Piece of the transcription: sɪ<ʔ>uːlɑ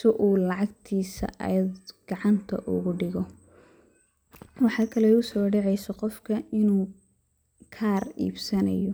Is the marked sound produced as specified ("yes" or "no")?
yes